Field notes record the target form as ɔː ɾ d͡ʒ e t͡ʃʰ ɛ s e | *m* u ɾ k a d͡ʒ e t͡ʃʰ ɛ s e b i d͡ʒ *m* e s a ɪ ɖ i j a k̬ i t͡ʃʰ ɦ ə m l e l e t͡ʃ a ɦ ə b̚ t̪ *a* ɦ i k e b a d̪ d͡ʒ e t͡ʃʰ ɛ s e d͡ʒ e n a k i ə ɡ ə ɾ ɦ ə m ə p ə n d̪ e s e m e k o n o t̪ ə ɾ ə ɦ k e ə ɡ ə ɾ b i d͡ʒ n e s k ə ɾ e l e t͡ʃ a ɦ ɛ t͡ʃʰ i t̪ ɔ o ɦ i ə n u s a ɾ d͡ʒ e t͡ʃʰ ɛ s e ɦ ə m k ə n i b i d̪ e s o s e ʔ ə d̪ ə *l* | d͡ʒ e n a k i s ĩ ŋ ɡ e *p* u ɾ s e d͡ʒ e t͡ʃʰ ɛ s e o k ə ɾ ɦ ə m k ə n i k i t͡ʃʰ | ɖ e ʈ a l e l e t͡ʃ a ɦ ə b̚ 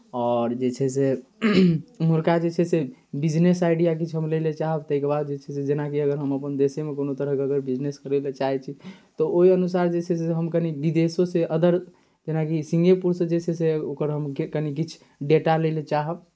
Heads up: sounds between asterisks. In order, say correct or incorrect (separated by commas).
correct, incorrect, incorrect, incorrect, correct